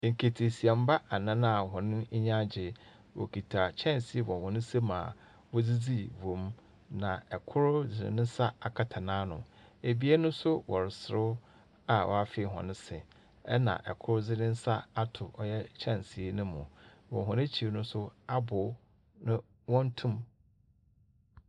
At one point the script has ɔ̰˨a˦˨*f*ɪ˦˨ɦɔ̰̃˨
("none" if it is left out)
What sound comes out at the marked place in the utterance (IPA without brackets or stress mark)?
f